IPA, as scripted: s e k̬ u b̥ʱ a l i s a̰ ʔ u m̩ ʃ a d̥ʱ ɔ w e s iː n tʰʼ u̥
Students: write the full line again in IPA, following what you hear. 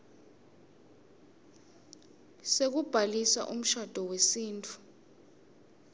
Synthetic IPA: s e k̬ u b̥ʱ a l i s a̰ ʔ u m̩ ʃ a d̥ʱ ɔ w e s iː n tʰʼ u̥